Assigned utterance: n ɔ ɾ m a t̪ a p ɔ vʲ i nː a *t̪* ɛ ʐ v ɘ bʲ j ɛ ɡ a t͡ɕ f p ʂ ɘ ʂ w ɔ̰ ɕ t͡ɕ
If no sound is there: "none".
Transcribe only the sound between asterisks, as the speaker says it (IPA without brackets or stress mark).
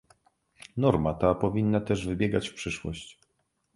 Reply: t̪